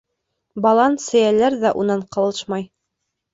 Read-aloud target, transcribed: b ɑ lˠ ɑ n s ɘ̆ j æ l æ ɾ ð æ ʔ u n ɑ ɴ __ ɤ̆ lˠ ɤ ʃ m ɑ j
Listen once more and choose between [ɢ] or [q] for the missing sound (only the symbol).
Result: q